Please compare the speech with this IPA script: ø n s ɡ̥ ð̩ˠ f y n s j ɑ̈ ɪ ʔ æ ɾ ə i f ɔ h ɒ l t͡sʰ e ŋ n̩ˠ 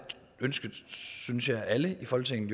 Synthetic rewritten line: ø n s ɡ̥ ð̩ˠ s y n s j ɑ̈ ɪ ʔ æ l ə i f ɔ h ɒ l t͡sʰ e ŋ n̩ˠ